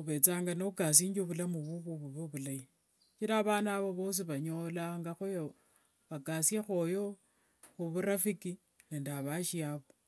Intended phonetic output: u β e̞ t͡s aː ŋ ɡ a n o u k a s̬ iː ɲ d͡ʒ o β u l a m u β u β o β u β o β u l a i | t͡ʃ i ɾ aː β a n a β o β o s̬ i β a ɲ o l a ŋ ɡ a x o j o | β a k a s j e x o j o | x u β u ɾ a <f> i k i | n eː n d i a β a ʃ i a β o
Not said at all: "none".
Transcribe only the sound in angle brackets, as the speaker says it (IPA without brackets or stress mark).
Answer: f